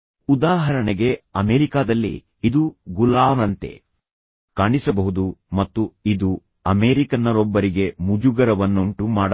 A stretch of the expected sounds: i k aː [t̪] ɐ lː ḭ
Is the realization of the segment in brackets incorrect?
yes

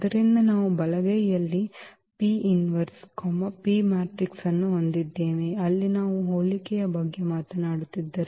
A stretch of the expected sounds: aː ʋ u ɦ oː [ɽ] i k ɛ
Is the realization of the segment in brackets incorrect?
yes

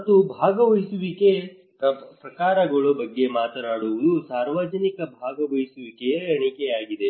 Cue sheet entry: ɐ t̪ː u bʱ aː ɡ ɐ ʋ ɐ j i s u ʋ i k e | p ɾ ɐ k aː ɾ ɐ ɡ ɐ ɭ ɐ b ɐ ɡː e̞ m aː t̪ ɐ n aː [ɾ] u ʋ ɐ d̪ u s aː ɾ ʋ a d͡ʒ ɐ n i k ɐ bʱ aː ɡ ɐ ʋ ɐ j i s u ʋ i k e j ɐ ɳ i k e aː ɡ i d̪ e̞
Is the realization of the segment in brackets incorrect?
yes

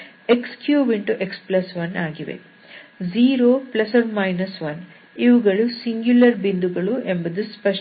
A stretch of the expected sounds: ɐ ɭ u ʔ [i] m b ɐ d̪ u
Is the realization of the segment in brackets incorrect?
yes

